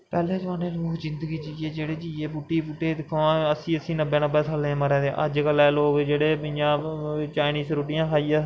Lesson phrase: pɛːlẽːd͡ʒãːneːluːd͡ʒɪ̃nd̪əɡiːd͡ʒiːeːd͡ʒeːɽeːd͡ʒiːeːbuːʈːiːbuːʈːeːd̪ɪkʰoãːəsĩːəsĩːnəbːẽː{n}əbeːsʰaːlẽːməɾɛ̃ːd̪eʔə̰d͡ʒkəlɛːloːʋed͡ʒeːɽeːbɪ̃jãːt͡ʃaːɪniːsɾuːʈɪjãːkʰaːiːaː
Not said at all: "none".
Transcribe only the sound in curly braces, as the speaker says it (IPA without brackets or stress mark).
n